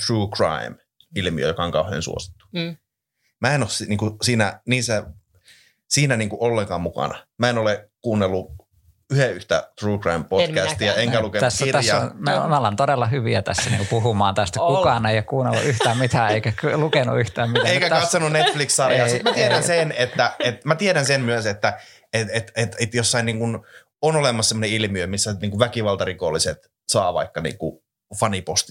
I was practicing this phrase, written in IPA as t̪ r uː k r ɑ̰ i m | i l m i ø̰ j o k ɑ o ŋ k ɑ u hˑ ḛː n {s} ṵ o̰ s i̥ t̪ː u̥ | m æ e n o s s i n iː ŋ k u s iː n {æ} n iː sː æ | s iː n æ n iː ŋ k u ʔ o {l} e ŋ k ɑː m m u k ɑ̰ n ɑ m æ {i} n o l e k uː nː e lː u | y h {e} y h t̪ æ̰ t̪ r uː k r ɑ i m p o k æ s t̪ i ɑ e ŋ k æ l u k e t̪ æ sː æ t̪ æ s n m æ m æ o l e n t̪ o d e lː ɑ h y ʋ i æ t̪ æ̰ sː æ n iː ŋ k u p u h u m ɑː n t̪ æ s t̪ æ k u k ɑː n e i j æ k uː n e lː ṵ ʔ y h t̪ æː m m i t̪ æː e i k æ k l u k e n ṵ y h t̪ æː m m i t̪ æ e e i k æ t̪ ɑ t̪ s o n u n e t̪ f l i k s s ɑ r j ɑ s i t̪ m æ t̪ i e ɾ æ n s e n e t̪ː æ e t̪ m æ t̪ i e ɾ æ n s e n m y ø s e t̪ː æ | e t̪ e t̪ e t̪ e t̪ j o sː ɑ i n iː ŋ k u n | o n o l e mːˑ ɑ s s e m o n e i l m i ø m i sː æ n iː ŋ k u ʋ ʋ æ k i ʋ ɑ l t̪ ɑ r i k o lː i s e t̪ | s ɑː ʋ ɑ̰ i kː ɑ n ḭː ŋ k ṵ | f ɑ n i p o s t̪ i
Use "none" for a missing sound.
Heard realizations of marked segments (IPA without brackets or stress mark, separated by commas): s, æ, lː, e, e